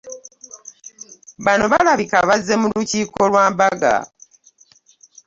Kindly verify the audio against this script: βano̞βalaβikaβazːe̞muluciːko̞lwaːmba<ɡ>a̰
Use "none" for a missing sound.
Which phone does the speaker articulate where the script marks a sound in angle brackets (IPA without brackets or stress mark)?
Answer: ɡ